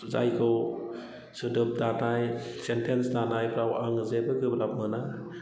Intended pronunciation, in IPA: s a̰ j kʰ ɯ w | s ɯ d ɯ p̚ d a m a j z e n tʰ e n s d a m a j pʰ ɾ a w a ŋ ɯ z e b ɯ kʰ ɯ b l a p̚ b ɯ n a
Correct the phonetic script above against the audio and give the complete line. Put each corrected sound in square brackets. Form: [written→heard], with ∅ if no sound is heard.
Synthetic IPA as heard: [s→z] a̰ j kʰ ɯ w | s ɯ d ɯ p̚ d a [m→n] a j [z→s] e n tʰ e n s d a [m→n] a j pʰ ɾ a w a ŋ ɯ z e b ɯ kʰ ɯ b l a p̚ [b→m] ɯ n a